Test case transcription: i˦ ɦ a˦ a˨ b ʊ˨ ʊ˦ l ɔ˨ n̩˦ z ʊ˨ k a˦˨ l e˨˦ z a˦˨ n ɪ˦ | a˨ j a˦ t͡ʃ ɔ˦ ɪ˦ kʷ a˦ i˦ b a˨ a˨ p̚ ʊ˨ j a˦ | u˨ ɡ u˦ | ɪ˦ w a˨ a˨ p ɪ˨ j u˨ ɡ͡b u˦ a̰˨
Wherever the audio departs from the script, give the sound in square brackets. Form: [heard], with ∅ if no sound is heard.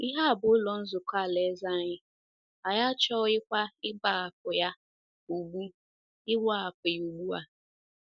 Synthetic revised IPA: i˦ ɦ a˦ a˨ b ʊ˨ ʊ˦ l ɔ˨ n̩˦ z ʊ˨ k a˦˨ l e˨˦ z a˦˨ [ɲ] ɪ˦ | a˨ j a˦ t͡ʃ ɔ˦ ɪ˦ kʷ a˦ [ɪ˦] b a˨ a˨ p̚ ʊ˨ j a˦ | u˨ [ɡ͡b] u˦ | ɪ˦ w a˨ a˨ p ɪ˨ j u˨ ɡ͡b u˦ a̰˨